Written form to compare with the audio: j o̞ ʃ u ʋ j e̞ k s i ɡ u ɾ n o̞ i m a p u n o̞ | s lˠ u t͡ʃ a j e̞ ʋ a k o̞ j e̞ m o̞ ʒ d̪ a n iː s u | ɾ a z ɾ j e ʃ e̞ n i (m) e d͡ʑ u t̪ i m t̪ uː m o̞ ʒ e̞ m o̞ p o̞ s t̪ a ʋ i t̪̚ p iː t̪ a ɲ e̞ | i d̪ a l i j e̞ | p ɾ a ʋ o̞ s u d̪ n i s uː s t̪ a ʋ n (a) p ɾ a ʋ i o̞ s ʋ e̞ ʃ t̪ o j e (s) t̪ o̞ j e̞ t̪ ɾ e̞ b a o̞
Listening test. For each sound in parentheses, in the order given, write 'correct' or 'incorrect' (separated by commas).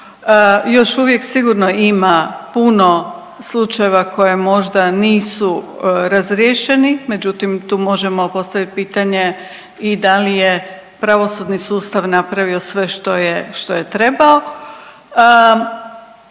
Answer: correct, correct, incorrect